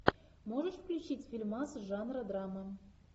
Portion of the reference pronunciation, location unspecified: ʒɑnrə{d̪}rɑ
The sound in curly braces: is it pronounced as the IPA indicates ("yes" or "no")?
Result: yes